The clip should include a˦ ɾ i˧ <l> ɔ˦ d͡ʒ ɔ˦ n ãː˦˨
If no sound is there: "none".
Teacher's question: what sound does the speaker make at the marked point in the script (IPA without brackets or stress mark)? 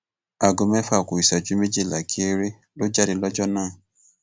l